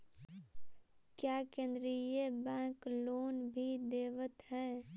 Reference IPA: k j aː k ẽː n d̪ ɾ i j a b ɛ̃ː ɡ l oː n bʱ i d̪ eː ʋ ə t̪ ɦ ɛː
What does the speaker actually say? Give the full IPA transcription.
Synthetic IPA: k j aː k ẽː n d̪ ɾ i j e b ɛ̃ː k l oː n bʱ i d̪ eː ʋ ə t̪ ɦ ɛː